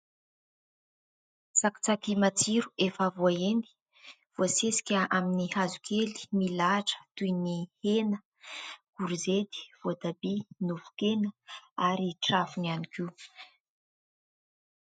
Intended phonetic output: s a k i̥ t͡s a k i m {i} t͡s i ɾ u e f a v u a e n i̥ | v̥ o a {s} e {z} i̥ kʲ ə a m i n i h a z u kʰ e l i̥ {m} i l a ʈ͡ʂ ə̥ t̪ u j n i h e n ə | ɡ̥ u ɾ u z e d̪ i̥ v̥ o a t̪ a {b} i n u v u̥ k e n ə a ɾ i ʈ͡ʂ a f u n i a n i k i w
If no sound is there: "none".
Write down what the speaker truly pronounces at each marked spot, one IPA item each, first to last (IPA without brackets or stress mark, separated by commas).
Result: a, s, s, m, b